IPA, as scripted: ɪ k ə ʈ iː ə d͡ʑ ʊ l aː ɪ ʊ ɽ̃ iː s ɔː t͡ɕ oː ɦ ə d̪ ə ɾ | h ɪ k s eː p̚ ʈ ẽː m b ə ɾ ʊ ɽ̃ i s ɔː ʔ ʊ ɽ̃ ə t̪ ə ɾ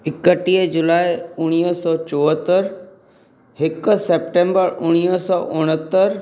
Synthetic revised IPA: ɪ k ə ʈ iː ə d͡ʑ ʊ l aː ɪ ʊ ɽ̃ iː s ɔː t͡ɕ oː ɦ ə t̪ ə ɾ | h ɪ k s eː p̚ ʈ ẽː m b ə ɾ ʊ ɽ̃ i s ɔː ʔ ʊ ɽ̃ ə t̪ ə ɾ